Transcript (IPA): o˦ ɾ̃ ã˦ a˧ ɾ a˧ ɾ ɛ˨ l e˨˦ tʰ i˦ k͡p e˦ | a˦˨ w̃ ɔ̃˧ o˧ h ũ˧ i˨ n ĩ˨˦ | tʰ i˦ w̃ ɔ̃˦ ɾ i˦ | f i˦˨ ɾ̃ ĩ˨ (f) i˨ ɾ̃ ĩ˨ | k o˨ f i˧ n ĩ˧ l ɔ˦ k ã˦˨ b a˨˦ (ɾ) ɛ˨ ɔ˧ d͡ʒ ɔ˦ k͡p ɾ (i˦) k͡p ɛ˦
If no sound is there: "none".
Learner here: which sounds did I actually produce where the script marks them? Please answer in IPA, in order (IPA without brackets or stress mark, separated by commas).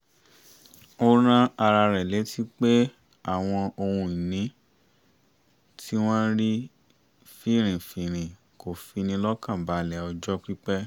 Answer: f, l, i˦